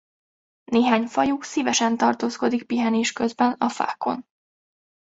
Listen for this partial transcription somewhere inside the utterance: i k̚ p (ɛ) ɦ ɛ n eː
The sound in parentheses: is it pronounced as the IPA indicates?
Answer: no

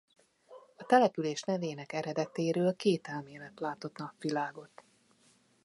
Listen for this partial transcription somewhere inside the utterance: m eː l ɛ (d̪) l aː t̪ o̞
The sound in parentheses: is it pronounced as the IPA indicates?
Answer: no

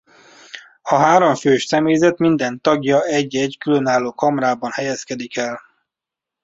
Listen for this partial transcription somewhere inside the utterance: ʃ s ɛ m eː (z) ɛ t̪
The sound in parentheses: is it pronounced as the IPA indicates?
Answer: yes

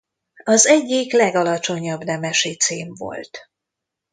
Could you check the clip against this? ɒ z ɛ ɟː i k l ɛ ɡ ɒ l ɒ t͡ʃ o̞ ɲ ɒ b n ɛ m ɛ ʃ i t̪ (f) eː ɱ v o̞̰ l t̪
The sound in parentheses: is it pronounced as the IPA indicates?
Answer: no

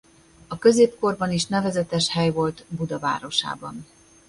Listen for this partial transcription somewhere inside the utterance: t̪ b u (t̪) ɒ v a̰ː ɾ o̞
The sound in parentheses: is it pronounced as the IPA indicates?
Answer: no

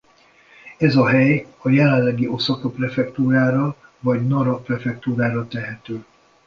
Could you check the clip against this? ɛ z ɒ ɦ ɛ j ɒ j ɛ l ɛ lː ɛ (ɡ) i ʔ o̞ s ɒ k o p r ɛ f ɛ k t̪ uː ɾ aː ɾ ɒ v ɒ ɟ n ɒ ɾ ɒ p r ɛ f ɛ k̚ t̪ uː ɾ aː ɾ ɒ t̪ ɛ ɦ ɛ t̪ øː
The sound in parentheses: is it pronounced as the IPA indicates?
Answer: yes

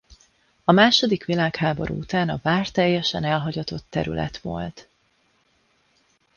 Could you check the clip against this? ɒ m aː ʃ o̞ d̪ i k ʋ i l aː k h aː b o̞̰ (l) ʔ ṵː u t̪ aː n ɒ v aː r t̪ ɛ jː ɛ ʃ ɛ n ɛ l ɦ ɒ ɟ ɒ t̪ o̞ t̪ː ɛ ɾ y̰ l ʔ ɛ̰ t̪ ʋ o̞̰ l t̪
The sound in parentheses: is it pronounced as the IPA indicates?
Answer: no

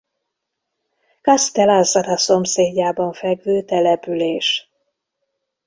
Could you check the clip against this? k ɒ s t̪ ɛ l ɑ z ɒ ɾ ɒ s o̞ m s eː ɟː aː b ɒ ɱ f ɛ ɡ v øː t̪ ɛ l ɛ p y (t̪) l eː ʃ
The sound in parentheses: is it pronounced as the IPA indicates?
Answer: no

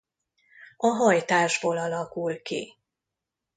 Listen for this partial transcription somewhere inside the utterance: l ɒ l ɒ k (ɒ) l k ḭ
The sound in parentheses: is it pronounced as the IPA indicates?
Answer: no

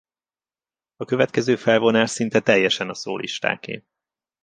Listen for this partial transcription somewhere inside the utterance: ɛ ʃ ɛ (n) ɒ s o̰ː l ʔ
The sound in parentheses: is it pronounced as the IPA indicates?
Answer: yes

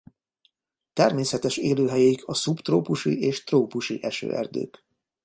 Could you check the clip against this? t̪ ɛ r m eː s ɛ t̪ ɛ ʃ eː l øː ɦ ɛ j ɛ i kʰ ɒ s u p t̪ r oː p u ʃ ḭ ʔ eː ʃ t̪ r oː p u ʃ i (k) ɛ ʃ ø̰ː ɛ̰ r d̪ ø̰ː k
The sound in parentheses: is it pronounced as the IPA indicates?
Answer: no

